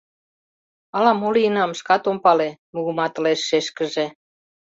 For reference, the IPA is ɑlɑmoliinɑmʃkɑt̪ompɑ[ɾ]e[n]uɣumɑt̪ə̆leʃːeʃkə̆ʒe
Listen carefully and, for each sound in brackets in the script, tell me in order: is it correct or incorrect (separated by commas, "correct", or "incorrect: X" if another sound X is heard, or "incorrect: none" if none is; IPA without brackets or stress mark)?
incorrect: l, incorrect: m